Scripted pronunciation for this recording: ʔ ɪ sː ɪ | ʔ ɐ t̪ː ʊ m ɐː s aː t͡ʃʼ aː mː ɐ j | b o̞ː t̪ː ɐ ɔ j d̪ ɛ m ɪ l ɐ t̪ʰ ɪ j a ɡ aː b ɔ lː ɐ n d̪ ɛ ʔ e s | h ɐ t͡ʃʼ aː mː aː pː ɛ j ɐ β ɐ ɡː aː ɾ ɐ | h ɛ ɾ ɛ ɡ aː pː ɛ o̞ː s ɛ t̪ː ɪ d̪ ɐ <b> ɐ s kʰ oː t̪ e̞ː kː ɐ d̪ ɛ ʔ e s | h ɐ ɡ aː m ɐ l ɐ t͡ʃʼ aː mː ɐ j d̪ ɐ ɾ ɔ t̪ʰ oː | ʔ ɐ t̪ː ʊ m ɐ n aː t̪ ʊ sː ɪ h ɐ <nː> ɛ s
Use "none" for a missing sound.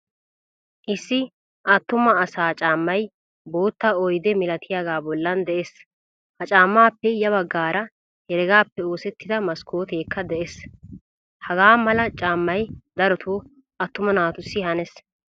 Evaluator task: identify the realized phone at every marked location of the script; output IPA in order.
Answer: m, n

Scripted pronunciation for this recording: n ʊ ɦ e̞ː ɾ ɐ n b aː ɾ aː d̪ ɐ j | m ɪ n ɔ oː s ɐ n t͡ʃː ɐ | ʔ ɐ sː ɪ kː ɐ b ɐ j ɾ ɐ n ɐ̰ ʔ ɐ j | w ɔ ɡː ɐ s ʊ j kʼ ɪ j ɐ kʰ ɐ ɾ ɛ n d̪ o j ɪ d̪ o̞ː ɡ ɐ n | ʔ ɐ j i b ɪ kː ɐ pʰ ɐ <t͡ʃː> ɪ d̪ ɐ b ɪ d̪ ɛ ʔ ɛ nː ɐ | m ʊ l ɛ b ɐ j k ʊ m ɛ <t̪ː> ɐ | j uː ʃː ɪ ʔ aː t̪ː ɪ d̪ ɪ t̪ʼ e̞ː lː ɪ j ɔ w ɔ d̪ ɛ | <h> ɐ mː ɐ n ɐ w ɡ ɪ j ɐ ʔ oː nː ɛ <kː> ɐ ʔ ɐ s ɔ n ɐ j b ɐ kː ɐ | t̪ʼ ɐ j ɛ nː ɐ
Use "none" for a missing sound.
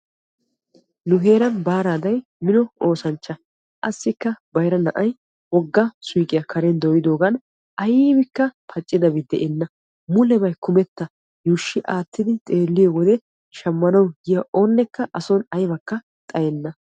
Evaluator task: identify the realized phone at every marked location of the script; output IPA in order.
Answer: t͡ʃʼː, t̪ː, ʃ, kː

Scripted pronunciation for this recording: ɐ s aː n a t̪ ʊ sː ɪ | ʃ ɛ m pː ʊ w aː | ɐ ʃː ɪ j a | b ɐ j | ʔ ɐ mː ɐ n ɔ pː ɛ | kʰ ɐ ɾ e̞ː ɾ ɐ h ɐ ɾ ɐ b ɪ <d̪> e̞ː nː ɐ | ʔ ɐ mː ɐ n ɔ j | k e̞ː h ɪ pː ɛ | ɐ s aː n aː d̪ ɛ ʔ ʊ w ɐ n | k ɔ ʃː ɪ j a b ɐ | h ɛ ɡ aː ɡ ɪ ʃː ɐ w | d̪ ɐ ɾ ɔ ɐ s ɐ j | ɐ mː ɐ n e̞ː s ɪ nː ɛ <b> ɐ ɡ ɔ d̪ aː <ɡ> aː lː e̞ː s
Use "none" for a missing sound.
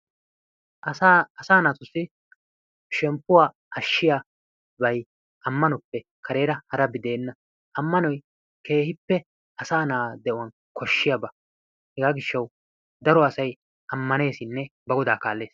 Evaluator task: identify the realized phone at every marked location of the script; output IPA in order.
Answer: d̪, b, k

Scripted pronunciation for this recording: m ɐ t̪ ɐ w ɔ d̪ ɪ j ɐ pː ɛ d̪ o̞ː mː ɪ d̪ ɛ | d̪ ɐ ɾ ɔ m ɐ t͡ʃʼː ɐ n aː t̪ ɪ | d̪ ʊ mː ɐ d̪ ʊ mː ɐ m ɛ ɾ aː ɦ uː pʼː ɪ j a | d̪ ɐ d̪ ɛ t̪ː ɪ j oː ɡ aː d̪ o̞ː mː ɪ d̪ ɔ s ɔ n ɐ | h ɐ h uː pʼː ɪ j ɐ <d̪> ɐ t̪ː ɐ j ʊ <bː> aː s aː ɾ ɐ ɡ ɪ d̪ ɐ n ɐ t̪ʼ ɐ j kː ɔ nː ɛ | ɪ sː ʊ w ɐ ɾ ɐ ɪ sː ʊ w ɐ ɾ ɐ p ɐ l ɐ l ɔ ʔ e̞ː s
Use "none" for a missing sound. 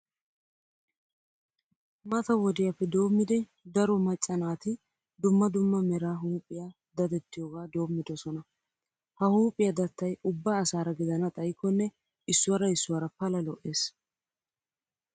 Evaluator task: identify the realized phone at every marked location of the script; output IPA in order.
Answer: d̪, bː

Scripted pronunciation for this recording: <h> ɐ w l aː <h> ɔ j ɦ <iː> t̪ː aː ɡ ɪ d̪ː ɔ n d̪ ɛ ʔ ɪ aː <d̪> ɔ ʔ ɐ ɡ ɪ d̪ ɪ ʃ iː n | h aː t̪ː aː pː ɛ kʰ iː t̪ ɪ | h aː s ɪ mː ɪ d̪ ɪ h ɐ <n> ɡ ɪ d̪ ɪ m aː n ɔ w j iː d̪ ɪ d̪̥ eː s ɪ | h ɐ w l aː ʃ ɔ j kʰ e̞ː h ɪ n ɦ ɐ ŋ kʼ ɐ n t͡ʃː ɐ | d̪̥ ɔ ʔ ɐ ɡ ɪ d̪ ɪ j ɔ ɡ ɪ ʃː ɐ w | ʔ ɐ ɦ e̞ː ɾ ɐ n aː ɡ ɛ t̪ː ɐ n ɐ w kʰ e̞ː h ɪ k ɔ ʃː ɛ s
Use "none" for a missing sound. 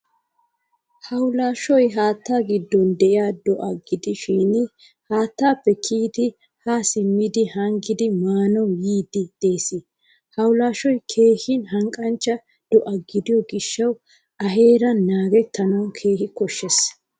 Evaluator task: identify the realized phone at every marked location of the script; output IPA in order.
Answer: h, ʃ, aː, d̪, ŋ

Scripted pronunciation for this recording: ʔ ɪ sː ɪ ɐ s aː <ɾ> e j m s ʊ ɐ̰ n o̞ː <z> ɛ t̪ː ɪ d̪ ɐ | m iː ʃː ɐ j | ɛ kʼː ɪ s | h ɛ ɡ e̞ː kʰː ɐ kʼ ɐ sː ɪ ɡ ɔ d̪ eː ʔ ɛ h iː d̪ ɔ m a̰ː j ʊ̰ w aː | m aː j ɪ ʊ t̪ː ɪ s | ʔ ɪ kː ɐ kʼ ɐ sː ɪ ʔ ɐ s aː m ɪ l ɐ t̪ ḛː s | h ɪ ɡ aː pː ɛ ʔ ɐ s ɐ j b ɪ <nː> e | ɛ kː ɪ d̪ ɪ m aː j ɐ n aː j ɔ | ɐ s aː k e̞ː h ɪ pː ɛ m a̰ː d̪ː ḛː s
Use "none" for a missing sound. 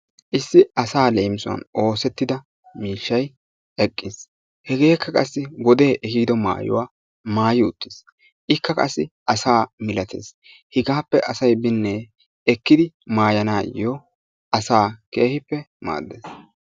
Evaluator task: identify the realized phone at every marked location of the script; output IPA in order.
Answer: l, s, nː

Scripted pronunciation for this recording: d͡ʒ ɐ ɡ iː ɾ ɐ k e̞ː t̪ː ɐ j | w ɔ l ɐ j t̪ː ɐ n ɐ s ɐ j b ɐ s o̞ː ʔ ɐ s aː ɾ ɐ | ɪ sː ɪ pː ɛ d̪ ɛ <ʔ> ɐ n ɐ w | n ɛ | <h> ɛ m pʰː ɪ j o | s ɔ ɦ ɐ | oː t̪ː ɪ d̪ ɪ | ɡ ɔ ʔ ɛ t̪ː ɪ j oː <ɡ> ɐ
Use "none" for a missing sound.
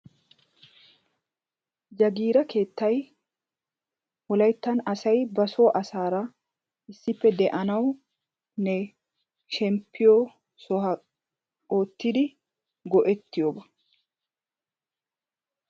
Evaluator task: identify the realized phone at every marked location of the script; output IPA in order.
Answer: ʔ, ʃ, b

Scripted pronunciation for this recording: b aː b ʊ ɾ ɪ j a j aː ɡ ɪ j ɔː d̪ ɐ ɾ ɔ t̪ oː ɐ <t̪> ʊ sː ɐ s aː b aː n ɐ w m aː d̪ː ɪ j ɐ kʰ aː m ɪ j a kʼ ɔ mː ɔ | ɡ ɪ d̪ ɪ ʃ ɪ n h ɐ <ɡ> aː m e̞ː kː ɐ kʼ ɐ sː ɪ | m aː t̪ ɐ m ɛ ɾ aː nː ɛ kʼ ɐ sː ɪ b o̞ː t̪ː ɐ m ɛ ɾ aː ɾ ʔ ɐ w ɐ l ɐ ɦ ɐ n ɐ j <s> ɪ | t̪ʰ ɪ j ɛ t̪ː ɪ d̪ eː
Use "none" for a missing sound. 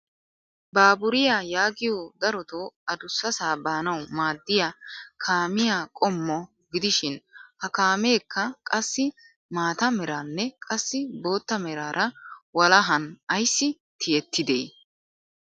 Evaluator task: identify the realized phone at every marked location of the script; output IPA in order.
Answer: d̪, k, sː

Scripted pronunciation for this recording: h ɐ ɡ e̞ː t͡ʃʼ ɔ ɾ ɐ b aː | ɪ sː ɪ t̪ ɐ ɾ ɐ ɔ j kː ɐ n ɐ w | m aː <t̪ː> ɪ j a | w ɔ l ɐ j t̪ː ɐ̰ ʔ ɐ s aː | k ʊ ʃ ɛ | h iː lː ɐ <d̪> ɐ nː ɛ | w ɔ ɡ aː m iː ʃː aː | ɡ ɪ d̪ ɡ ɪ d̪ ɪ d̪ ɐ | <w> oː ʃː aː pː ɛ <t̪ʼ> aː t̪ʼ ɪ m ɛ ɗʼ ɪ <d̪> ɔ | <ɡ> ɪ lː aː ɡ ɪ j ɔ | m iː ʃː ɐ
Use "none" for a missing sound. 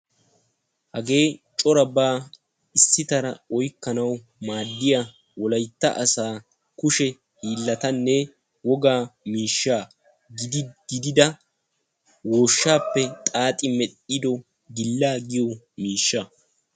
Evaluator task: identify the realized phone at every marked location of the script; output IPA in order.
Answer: d̪ː, t̪, w, t̪ʼ, d̪, ɡ

